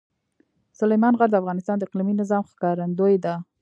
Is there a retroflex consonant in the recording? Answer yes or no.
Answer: no